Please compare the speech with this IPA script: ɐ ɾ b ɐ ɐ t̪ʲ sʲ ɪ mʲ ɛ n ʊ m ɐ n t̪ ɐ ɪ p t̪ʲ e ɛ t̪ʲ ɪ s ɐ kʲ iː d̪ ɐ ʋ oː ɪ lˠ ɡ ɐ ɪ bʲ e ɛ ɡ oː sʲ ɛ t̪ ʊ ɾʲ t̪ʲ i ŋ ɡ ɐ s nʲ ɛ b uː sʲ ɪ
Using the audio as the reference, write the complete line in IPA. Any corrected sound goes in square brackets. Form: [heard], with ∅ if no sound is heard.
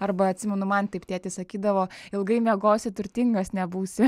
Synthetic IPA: ɐ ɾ b ɐ ɐ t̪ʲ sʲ ɪ mʲ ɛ n ʊ m ɐ n t̪ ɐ ɪ p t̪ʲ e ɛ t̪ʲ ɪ s ɐ kʲ iː d̪ ɐ ʋ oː ɪ lˠ ɡ ɐ ɪ [mʲ] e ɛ ɡ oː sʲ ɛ t̪ ʊ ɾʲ t̪ʲ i ŋ ɡ ɐ s nʲ ɛ b uː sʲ ɪ